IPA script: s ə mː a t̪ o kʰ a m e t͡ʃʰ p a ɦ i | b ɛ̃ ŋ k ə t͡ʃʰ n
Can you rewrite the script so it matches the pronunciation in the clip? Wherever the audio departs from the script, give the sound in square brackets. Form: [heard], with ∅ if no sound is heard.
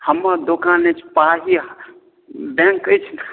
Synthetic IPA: [h] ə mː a [d̪] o [k] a [n] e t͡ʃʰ p a ɦ i | b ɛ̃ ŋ k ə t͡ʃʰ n